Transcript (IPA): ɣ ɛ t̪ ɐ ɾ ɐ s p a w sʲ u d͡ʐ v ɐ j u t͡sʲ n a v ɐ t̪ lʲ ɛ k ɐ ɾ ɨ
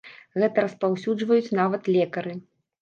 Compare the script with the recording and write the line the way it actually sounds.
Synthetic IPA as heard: ɣ ɛ t̪ ɐ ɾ ɐ s p a w sʲ u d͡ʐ v ɐ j u t͡sʲ n a v ɐ t̪ lʲ ɛ k ɐ ɾ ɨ